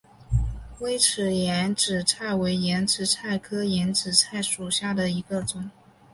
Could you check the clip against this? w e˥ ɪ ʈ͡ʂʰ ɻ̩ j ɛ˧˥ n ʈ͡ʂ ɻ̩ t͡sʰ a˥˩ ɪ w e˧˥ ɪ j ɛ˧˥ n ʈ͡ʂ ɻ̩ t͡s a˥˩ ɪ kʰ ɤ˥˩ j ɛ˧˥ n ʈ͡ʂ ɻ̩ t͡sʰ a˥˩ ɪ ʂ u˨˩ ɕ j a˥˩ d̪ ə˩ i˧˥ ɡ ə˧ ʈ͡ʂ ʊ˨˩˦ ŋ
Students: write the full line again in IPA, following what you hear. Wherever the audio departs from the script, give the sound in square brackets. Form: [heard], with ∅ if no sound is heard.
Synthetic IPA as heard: w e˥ ɪ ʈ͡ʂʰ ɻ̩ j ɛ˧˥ n ʈ͡ʂ ɻ̩ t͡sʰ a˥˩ ɪ w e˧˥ ɪ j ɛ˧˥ n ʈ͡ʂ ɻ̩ [t͡sʰ] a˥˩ ɪ kʰ [ɤ˥] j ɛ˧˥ n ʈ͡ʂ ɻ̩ t͡sʰ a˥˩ ɪ ʂ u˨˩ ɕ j a˥˩ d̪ ə˩ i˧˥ ɡ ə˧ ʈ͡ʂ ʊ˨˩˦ ŋ

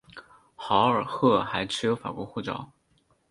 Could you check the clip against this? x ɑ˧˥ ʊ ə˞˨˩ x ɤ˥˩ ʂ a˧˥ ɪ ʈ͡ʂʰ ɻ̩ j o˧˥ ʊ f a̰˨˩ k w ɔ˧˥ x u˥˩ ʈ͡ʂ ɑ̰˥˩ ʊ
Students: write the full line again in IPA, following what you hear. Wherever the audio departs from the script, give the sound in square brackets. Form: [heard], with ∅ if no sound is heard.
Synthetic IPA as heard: x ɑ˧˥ ʊ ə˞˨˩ x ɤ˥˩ [x] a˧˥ ɪ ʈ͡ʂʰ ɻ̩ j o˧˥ ʊ f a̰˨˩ k w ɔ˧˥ x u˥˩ ʈ͡ʂ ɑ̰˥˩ ʊ

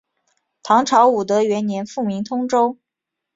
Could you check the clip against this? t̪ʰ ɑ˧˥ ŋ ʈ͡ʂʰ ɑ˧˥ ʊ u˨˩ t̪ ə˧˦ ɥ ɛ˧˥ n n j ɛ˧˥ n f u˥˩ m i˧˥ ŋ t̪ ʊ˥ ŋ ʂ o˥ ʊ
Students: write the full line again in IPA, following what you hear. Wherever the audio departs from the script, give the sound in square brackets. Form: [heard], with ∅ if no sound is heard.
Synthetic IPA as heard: t̪ʰ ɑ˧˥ ŋ ʈ͡ʂʰ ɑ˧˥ ʊ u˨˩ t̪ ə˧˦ ɥ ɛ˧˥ n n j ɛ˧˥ n f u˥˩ m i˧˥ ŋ [t̪ʰ] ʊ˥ ŋ [ʈ͡ʂ] o˥ ʊ

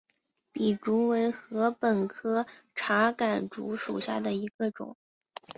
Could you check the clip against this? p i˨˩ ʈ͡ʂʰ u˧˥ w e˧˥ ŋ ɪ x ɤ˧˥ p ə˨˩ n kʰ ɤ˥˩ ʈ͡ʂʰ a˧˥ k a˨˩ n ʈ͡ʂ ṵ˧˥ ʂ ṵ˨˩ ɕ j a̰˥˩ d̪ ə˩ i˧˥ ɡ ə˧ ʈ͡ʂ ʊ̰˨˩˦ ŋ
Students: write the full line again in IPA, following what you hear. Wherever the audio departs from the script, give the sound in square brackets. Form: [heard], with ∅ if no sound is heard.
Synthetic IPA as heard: p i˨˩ [ʈ͡ʂ] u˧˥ w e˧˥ [∅] ɪ x ɤ˧˥ p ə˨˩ n kʰ [ɤ˥] ʈ͡ʂʰ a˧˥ k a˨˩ n ʈ͡ʂ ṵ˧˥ ʂ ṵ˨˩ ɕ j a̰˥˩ d̪ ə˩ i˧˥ ɡ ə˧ ʈ͡ʂ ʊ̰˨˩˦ ŋ

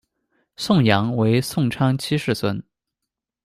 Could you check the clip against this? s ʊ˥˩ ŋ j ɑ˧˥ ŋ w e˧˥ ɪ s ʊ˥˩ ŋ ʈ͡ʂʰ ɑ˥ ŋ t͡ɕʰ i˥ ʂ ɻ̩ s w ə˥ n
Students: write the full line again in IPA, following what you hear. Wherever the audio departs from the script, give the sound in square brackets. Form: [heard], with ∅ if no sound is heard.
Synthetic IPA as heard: s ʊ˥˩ ŋ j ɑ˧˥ ŋ w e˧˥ ɪ s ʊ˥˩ ŋ ʈ͡ʂʰ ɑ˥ ŋ t͡ɕʰ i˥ ʂ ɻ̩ s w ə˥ n

